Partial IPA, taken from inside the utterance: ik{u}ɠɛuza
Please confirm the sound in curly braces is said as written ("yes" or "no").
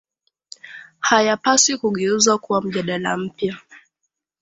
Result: yes